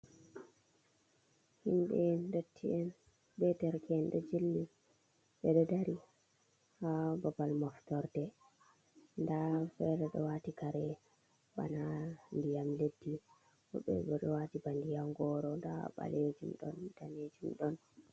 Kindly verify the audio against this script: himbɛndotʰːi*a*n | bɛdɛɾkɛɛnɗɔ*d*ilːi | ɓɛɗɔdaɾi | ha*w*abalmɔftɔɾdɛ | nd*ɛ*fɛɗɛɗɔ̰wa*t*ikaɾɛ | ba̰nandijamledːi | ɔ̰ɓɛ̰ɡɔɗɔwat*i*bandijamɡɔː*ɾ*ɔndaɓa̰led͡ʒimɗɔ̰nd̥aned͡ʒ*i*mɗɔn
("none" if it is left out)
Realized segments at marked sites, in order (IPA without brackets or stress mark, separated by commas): ɛ, d͡ʒ, b, a, t, i, ɾ, i